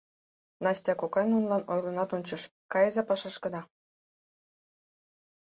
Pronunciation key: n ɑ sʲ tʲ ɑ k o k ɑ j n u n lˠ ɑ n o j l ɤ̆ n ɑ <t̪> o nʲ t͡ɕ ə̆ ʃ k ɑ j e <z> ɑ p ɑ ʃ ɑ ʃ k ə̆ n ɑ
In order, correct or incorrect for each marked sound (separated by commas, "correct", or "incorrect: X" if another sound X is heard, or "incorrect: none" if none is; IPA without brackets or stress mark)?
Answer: correct, correct